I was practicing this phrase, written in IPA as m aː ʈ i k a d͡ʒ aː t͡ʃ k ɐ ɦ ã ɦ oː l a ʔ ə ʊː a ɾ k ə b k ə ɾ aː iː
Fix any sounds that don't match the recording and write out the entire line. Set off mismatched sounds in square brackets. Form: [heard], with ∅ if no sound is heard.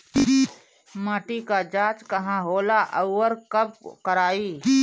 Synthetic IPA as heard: m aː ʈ i k a d͡ʒ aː t͡ʃ k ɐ ɦ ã ɦ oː l a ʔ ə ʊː [ə] ɾ k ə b k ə ɾ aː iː